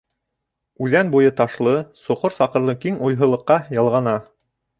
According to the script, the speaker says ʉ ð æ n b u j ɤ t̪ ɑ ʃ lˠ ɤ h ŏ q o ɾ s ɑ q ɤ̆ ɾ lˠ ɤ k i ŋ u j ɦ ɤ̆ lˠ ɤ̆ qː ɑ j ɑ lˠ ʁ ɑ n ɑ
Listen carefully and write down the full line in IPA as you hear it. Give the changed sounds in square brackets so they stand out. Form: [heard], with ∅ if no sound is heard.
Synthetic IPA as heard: ʉ ð æ n b u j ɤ t̪ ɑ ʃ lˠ ɤ [s] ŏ q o ɾ s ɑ q ɤ̆ ɾ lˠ ɤ k i ŋ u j ɦ ɤ̆ lˠ ɤ̆ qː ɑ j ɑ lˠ ʁ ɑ n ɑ